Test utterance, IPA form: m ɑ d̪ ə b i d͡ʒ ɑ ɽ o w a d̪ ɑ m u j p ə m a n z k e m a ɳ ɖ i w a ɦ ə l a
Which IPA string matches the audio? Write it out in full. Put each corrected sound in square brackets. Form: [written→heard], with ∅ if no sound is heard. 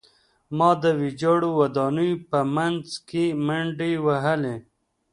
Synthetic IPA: m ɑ d̪ ə [b→w] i d͡ʒ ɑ ɽ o w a d̪ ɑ [m→n] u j p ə m a n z k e m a ɳ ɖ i w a ɦ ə l [a→e]